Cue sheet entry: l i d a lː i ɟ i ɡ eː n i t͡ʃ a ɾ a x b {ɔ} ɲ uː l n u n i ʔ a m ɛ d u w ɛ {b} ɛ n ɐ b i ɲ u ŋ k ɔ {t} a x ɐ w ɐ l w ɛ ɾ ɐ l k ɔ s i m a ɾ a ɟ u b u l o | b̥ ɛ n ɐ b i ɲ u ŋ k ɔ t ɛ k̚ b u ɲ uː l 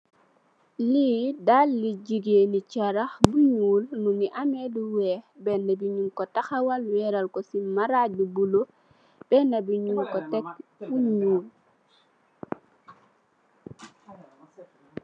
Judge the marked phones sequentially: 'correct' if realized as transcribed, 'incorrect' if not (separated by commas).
incorrect, correct, correct